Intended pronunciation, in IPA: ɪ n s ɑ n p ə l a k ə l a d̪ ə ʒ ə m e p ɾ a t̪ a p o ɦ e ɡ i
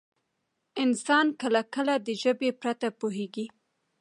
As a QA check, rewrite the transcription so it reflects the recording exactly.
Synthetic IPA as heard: ɪ n s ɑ n k ə l a k ə l a d̪ ə ʒ ə b e p ɾ a t̪ a p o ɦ e ɡ i